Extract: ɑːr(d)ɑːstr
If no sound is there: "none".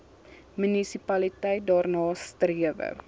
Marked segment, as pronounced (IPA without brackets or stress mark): n